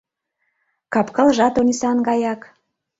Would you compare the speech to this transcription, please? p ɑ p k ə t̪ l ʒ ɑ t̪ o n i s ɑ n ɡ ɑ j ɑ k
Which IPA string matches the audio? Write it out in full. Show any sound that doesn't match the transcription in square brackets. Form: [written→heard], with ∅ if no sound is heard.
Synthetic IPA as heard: [p→k] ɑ p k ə [t̪→∅] l ʒ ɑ t̪ o n i s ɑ n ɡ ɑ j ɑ k